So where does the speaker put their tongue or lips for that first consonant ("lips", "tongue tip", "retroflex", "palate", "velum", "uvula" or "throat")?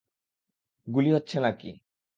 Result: velum